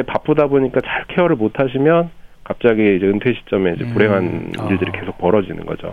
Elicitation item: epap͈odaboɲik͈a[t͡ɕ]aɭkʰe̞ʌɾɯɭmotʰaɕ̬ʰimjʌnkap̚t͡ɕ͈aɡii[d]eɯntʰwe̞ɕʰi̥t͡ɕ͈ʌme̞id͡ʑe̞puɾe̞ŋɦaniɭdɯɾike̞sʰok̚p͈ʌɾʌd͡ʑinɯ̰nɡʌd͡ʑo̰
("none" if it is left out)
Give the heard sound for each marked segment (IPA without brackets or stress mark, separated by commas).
t͡ɕ, d͡ʑ